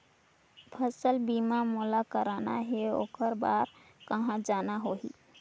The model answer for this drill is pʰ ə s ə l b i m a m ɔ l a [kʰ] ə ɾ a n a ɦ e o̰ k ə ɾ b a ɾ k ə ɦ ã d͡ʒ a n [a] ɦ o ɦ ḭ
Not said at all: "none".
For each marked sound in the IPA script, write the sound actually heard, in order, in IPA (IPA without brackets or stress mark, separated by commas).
k, a